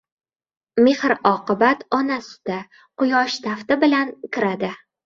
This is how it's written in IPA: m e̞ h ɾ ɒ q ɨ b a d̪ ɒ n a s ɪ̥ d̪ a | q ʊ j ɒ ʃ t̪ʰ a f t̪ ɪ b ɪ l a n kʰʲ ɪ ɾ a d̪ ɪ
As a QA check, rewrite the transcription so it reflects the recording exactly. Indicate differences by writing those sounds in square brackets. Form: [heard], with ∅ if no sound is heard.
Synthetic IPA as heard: m e̞ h ɾ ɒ q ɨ b a [t̪] ɒ n a s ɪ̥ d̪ a | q ʊ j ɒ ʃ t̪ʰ a f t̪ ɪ b ɪ l a n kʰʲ ɪ ɾ a d̪ ɪ